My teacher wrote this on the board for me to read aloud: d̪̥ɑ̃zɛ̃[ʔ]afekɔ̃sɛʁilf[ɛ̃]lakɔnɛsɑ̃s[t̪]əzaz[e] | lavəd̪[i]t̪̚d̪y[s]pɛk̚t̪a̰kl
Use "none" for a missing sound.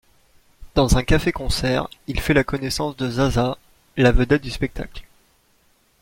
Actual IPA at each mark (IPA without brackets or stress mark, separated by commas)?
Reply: k, ɛ, d̪, a, ɛ, s